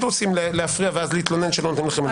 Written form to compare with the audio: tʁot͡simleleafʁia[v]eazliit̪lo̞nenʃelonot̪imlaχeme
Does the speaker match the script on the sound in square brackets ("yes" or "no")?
yes